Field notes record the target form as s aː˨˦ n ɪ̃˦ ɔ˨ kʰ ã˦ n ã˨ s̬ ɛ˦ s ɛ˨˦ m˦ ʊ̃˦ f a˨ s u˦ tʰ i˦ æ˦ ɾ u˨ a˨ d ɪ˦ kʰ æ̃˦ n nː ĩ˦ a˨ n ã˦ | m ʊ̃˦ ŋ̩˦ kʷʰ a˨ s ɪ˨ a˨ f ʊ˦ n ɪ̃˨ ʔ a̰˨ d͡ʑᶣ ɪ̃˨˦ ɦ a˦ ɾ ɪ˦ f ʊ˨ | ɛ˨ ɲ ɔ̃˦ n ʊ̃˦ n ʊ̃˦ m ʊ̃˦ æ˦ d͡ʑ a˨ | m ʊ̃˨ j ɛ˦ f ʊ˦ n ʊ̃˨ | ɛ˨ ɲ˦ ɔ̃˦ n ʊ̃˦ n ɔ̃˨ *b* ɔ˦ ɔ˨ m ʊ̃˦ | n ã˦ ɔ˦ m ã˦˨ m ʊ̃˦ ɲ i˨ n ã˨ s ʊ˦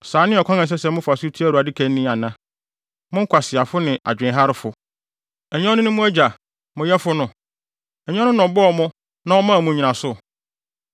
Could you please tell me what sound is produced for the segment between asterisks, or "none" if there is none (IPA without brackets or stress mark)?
b